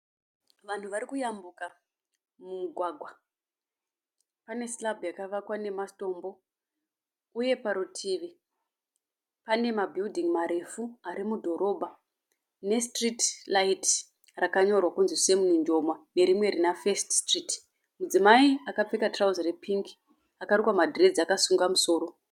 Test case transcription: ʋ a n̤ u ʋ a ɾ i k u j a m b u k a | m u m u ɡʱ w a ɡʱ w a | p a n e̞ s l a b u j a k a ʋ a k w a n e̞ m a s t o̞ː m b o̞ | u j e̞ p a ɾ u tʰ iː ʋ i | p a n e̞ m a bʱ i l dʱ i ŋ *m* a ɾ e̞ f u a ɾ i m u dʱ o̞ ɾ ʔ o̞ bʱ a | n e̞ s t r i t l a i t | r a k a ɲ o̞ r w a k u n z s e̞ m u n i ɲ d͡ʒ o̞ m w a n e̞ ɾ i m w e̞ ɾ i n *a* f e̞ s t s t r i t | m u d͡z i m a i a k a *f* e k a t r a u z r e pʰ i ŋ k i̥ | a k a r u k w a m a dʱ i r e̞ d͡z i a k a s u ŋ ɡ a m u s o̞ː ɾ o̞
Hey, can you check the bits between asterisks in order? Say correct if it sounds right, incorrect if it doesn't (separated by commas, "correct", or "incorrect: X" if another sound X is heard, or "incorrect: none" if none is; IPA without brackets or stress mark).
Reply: correct, correct, incorrect: p͡f